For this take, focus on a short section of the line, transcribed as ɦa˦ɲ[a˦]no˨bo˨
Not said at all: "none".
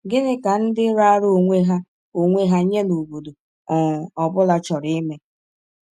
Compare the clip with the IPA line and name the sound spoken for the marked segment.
e˦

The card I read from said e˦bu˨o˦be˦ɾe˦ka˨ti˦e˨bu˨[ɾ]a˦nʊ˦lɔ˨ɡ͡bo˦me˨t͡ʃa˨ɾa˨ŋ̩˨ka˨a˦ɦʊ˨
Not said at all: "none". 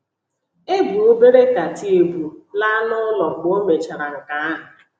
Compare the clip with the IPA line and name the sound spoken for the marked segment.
l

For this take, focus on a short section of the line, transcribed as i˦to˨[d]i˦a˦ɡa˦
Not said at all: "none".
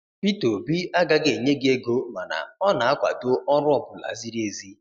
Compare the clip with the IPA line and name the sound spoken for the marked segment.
b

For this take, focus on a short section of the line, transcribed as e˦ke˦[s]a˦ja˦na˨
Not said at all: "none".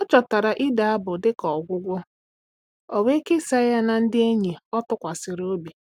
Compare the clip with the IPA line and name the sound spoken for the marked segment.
s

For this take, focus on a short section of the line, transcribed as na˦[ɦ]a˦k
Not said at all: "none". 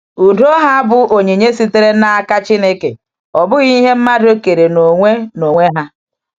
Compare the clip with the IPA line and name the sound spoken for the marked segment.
none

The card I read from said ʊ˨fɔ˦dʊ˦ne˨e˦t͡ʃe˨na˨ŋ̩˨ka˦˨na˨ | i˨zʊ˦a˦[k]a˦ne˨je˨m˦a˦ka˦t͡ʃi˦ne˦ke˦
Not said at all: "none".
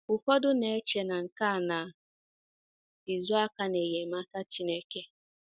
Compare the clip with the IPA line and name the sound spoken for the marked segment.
k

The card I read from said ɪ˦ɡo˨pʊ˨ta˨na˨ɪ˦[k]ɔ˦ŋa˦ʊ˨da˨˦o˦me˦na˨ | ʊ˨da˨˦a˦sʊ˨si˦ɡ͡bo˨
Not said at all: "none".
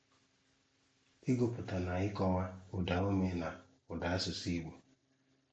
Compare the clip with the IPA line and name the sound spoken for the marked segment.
k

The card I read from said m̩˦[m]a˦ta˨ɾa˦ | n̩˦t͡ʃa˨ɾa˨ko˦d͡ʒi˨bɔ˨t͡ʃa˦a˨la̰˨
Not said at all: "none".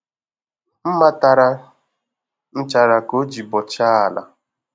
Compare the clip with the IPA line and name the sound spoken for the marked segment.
m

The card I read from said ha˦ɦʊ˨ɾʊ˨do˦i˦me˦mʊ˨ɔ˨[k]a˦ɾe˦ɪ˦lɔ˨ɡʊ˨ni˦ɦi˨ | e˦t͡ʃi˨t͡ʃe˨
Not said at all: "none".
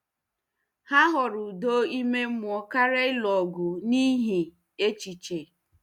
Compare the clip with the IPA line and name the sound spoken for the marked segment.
k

